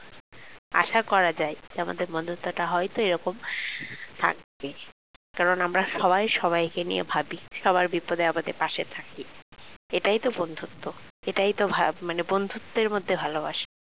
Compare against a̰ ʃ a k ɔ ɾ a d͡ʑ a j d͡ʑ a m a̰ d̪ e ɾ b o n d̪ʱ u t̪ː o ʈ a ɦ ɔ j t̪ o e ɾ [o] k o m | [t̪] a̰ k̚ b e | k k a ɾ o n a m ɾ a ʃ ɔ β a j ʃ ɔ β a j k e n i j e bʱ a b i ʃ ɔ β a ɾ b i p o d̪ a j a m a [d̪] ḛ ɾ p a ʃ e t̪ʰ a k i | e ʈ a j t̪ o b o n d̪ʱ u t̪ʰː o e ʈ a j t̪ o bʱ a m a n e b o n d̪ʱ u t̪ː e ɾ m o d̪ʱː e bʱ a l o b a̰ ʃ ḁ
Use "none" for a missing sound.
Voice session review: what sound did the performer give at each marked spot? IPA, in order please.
ɔ, t̪ʰ, d̪

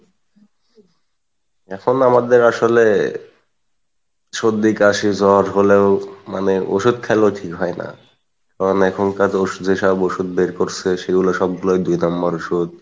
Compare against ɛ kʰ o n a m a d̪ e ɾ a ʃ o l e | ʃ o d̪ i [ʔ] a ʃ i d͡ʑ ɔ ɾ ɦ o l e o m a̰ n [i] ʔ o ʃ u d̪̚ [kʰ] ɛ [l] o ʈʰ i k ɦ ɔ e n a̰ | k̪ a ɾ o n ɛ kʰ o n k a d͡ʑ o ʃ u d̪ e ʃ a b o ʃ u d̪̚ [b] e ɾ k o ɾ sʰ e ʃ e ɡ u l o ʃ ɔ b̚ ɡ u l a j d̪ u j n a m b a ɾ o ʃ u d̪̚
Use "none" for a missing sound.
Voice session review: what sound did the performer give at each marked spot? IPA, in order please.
k, e, kʰ, l, b

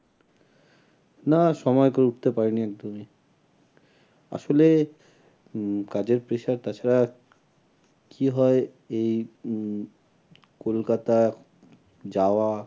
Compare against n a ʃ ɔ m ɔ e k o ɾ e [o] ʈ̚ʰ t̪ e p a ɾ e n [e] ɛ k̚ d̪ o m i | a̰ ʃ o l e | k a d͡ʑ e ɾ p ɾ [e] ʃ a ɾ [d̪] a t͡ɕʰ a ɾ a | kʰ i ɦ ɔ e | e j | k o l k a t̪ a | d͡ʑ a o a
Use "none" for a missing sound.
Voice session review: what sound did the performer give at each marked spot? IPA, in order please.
u, i, e, t̪

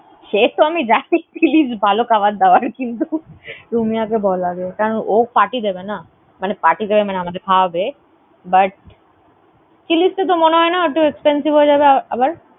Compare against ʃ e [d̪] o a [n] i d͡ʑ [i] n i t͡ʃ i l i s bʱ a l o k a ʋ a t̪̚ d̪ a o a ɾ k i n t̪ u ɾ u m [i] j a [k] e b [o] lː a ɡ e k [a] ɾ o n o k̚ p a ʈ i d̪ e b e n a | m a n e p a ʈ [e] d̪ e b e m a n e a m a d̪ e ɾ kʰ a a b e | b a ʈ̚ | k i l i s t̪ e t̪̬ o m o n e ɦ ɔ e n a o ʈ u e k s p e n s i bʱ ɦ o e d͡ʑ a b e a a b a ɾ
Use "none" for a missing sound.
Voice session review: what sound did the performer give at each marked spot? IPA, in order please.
t̪, m, a, i, k, ɔ, a, i

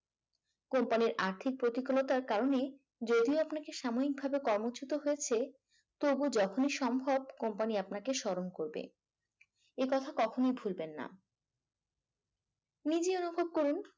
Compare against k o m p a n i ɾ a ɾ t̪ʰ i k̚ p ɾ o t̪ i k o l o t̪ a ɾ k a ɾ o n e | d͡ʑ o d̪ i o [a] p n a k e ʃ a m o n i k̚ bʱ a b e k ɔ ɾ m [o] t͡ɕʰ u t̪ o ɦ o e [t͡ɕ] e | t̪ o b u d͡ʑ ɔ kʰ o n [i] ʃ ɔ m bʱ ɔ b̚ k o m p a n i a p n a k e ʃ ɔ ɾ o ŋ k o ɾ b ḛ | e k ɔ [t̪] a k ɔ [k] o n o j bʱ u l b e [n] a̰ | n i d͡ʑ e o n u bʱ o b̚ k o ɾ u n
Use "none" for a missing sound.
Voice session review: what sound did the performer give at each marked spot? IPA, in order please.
a, o, t͡ɕʰ, i, t̪ʰ, kʰ, nː

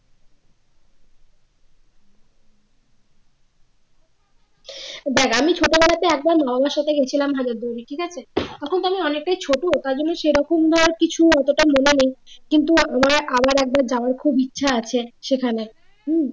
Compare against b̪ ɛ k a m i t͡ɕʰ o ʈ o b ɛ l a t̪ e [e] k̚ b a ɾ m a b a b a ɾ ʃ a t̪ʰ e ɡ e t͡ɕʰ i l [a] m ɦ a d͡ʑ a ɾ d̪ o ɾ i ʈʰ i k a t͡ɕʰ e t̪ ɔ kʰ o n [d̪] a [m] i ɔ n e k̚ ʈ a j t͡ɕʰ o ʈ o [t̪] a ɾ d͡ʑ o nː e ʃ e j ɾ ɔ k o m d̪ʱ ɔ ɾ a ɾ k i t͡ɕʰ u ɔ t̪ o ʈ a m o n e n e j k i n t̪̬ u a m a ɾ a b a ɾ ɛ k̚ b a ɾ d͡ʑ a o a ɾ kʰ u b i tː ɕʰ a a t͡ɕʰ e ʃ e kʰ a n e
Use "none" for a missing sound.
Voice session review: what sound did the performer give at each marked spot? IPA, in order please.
ɛ, a, t̪, m, t̪

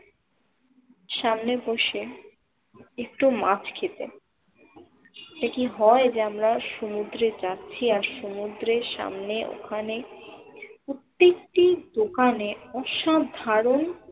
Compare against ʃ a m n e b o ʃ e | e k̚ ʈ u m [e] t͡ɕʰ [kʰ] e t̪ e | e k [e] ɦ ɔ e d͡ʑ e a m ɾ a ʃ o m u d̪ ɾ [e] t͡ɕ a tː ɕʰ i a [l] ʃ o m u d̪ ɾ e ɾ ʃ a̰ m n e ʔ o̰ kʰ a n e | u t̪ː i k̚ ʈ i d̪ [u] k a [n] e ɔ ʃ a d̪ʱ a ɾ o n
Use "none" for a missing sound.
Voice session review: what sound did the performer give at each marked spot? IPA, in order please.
a, kʰ, i, e, ɾ, o, n

